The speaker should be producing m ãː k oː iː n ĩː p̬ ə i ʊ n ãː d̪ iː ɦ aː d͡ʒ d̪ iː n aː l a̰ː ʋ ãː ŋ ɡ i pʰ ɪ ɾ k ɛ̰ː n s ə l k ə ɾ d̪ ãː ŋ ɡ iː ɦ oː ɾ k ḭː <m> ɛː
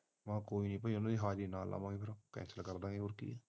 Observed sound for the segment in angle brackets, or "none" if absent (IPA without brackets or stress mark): none